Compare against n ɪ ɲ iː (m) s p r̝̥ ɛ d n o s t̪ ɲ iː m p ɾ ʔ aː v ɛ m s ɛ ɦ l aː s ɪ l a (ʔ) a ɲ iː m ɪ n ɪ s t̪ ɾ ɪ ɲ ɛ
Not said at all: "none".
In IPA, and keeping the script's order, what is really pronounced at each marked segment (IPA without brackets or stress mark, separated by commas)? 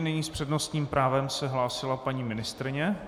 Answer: none, p